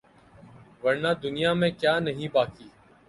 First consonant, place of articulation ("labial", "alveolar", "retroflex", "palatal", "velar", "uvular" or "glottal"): labial